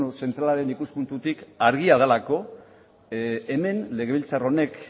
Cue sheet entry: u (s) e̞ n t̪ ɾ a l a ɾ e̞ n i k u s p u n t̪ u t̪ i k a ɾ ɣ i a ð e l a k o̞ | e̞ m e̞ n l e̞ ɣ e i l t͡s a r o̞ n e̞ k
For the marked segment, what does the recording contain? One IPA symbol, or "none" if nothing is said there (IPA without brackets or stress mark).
s